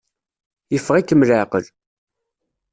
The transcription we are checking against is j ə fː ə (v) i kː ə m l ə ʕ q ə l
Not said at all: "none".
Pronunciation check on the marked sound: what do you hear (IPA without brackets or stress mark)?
ʁ